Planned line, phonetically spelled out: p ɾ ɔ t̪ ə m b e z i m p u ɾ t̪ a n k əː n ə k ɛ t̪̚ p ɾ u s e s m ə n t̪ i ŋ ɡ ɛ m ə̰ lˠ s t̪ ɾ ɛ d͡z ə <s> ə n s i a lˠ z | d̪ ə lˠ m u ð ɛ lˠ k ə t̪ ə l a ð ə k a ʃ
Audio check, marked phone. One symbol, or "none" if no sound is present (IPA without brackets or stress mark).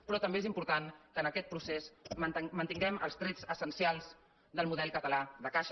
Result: s